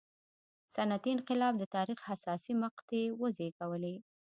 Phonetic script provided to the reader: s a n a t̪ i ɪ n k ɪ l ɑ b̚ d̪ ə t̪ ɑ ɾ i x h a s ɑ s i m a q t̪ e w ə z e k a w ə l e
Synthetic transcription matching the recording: s a n a t̪ i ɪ n q ɪ l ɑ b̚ d̪ ə t̪ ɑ ɾ i x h a s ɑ s i m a q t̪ e w ə z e k a w ə l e